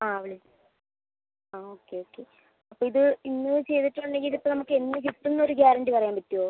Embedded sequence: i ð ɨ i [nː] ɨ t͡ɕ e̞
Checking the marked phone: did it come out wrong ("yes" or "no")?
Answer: no